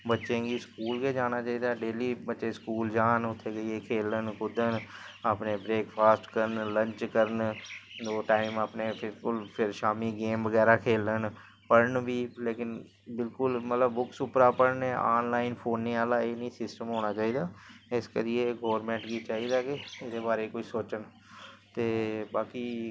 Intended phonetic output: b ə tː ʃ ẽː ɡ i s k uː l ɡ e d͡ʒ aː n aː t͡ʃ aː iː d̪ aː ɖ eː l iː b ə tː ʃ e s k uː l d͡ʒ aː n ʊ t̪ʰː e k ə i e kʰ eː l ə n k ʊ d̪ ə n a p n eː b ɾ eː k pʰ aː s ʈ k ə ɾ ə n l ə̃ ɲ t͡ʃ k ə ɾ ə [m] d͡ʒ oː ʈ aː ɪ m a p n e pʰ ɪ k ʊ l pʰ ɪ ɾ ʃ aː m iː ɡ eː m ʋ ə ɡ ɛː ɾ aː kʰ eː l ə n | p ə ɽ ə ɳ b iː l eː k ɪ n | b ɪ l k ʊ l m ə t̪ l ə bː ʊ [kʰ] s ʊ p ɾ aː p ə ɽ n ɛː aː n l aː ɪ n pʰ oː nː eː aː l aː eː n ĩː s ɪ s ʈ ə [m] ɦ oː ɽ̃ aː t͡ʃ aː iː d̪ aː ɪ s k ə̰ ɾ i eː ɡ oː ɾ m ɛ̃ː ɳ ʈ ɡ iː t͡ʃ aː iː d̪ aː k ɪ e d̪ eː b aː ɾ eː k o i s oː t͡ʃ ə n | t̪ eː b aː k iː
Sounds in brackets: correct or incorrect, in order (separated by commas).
incorrect, incorrect, correct